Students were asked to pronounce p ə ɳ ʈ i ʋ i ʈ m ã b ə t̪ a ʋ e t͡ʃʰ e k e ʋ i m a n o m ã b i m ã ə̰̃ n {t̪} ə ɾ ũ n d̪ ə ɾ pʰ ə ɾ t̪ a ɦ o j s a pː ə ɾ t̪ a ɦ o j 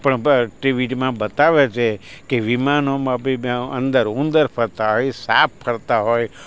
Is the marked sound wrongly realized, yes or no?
yes